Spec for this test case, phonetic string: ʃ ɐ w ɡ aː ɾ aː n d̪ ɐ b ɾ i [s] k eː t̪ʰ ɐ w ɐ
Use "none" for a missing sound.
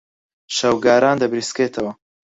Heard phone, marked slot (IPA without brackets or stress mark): s